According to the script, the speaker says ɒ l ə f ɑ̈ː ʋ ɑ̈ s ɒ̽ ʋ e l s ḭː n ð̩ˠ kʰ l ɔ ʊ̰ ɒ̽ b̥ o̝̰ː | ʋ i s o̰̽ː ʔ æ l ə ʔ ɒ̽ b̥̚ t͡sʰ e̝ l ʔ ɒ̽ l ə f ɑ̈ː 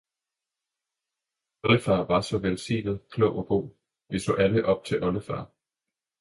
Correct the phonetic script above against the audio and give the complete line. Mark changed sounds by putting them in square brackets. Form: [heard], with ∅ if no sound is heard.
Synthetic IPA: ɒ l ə f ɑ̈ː ʋ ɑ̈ s ɒ̽ ʋ e l s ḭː n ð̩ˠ kʰ l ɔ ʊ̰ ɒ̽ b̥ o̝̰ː | ʋ i s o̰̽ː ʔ æ l ə ʔ ɒ̽ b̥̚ t͡sʰ e̝ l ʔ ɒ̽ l ə f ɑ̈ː